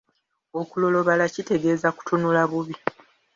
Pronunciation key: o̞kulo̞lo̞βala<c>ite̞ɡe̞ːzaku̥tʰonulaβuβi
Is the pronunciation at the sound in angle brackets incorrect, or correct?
correct